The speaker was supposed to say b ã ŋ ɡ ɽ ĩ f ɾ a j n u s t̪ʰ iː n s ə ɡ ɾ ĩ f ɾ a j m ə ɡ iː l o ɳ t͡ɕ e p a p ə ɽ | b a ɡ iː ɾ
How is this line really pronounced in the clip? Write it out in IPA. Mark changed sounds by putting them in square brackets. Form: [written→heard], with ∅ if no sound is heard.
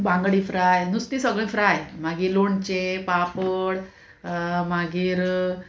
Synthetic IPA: b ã ŋ ɡ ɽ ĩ f ɾ a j n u s [t̪ʰ→t̪] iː [n→∅] s ə ɡ [ɾ→ɭ] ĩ f ɾ a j m [ə→a] ɡ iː l o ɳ t͡ɕ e p a p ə ɽ | [b→m] a ɡ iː ɾ